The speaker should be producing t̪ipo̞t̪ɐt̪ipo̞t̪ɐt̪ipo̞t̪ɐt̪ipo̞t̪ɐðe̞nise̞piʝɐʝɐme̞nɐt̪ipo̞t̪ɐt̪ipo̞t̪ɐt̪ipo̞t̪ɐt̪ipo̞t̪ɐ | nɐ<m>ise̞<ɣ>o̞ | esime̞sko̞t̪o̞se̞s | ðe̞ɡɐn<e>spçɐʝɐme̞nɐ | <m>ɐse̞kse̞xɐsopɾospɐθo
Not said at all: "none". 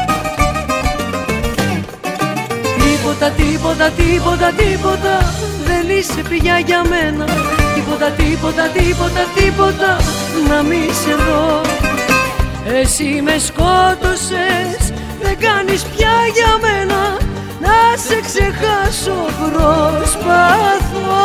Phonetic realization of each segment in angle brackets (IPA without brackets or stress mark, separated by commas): m, ð, i, n